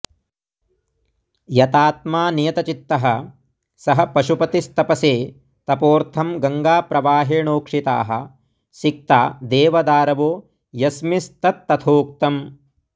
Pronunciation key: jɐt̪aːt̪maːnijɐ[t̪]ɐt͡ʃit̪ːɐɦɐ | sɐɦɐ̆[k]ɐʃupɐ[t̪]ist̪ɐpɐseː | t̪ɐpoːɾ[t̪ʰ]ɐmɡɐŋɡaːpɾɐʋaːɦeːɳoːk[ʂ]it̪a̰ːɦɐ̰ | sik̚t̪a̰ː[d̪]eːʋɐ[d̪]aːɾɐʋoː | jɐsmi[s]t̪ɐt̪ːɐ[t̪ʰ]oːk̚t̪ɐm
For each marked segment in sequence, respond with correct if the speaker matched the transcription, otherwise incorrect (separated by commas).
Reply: correct, incorrect, correct, correct, correct, correct, correct, correct, correct